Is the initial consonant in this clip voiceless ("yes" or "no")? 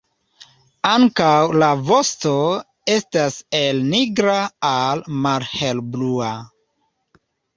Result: no